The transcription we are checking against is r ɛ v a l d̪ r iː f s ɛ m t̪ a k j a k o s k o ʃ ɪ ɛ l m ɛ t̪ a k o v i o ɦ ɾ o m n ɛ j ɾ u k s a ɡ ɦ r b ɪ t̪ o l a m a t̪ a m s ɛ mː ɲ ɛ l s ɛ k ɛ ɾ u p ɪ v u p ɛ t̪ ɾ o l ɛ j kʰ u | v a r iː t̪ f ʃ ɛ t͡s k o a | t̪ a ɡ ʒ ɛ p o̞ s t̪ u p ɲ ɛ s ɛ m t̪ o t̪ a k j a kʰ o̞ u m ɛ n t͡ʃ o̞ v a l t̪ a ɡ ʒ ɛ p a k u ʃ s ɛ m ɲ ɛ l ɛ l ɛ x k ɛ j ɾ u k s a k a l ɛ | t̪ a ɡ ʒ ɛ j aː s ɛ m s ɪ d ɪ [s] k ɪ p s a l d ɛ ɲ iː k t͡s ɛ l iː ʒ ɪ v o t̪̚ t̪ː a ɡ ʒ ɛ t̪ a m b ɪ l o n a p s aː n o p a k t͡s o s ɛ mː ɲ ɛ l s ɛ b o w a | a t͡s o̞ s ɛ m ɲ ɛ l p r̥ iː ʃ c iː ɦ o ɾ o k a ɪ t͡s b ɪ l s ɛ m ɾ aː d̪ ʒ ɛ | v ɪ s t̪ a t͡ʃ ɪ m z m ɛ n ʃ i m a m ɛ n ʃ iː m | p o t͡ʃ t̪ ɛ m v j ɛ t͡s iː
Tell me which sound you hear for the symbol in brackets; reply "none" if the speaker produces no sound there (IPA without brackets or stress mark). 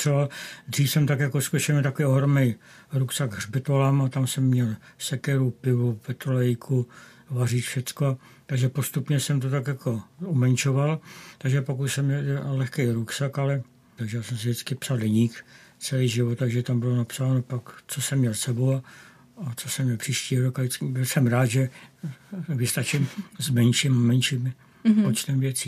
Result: t͡s